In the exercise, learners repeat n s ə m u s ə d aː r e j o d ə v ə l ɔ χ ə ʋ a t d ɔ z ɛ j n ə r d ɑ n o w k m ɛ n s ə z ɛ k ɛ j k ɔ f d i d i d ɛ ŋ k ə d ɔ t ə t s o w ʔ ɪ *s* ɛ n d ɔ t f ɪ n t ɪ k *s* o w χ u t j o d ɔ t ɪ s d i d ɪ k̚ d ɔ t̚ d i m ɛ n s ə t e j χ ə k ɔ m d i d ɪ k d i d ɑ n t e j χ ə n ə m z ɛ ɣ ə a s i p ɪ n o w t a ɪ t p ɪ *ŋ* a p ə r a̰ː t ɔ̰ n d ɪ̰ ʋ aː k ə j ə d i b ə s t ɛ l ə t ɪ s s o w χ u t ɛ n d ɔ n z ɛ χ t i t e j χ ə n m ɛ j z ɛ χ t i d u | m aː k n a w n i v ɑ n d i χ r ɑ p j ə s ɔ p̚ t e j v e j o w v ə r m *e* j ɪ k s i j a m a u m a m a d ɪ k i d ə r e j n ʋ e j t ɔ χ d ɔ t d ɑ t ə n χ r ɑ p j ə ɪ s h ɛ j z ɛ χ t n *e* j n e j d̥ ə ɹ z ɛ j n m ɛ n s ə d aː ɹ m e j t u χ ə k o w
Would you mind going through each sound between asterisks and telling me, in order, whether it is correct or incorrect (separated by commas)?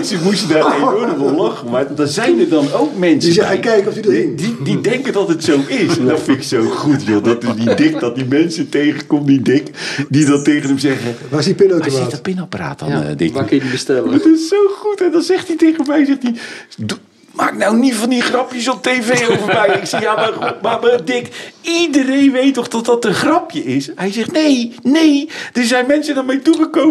correct, correct, incorrect, incorrect, correct